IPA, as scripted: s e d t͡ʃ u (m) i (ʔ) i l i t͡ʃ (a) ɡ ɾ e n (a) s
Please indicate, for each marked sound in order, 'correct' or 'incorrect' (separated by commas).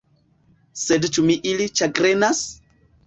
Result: correct, correct, correct, correct